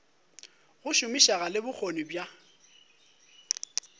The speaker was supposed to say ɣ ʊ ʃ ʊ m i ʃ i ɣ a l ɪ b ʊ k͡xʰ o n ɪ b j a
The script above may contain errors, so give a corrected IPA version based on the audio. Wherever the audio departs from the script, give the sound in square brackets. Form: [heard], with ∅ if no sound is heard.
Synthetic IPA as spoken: ɣ ʊ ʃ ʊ m i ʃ [a] ɣ a l ɪ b ʊ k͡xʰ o n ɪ b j a